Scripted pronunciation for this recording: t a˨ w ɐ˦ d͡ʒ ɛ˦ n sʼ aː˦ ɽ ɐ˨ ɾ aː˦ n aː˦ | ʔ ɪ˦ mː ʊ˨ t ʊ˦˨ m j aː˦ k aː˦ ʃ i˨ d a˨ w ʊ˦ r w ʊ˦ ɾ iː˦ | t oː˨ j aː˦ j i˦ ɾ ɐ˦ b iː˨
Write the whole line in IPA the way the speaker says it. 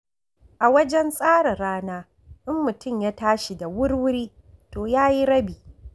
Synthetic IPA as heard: ʔ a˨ w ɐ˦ d͡ʒ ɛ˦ n sʼ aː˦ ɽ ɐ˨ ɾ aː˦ n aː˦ | ʔ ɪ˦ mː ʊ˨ t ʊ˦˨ m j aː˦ t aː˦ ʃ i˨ d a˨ w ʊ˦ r w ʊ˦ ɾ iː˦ | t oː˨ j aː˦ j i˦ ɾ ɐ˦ b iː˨